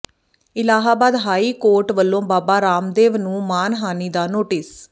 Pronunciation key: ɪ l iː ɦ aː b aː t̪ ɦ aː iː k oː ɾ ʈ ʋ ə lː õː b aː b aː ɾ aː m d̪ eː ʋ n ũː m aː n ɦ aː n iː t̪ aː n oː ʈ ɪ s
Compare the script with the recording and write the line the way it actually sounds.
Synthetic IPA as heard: ɪ l aː ɦ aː b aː d̪ ɦ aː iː k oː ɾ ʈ ʋ ə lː õː b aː b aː ɾ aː m d̪ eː ʋ n ũː m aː n ɦ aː n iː d̪ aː n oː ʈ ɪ s